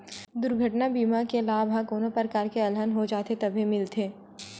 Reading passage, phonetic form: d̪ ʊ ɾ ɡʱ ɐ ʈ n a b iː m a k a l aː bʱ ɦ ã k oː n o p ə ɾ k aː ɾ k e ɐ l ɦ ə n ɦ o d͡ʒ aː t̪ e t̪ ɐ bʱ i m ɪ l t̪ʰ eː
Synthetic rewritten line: d̪ ʊ ɾ ɡʱ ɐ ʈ n a b iː m a k e l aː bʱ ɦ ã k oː n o p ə ɾ k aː ɾ k e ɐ l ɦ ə n ɦ o d͡ʒ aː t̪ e t̪ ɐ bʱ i m ɪ l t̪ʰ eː